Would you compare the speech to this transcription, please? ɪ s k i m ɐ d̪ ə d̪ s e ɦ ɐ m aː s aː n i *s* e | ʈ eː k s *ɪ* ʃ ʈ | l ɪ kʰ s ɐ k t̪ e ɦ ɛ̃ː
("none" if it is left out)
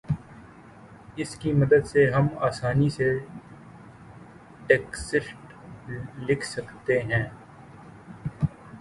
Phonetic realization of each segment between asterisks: s, ɪ

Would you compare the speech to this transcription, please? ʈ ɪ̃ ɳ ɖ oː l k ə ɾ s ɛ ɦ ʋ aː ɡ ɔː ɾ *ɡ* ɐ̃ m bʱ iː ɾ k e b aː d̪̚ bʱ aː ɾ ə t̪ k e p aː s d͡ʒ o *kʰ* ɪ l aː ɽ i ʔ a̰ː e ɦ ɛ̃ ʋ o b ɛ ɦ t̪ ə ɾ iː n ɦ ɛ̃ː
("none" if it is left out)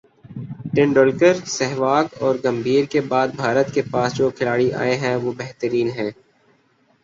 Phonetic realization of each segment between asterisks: ɡ, kʰ

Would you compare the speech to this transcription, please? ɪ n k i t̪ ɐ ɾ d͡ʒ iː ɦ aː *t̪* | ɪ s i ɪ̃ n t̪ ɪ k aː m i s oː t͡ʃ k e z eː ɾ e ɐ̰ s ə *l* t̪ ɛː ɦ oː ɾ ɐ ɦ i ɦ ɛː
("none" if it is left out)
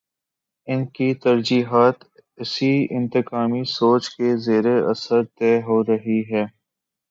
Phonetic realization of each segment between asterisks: t̪, ɾ

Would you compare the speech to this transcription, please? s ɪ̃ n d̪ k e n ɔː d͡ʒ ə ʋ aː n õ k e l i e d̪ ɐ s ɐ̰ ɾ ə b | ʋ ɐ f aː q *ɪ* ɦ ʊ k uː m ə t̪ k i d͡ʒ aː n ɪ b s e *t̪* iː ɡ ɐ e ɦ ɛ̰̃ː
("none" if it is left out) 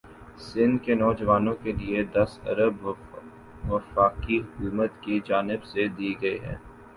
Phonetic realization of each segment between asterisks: i, d̪

